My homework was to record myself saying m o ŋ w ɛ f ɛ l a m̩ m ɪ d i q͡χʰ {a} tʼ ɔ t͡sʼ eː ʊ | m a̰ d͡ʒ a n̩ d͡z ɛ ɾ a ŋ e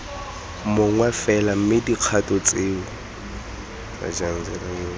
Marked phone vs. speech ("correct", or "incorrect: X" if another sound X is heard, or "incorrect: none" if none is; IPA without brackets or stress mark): correct